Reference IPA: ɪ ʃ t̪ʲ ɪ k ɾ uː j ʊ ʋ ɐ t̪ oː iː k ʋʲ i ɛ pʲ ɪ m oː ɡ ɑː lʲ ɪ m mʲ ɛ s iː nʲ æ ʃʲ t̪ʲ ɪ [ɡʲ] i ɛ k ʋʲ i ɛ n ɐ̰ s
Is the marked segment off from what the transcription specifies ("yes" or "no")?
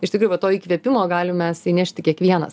yes